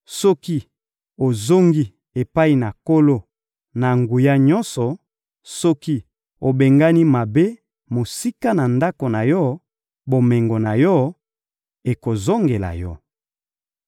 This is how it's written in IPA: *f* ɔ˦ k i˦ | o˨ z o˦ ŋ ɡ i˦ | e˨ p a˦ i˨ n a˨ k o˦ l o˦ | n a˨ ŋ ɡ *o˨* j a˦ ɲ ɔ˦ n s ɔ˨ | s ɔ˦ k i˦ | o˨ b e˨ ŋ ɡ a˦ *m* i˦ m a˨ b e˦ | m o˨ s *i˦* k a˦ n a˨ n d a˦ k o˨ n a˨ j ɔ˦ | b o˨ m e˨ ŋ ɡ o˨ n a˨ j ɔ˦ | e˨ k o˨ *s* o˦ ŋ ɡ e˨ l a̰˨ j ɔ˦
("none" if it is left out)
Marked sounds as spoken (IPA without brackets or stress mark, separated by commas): s, u˨, n, i˦, z